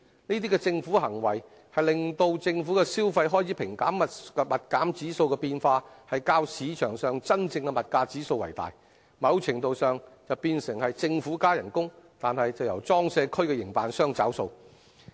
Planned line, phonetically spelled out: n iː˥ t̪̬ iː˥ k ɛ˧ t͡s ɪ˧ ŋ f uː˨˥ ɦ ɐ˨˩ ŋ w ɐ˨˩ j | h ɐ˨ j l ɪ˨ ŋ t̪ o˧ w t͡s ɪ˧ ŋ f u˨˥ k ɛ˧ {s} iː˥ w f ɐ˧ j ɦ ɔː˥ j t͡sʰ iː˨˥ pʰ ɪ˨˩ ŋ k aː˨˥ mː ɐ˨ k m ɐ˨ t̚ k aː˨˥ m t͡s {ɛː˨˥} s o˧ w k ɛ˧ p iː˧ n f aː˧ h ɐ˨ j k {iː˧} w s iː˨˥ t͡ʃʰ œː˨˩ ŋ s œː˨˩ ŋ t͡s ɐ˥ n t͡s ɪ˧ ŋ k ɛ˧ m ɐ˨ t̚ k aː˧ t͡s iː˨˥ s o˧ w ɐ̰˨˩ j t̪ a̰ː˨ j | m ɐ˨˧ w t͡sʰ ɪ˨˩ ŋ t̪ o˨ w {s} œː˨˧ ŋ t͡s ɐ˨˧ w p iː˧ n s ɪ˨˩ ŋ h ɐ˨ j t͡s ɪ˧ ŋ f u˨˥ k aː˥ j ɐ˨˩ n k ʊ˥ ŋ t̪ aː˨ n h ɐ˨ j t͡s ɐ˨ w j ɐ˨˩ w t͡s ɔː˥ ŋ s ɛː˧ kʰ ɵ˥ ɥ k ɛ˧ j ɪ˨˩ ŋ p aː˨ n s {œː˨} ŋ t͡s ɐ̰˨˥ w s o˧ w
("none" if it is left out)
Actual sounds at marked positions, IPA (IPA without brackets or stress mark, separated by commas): s, iː˨˥, aː˧, s, œː˥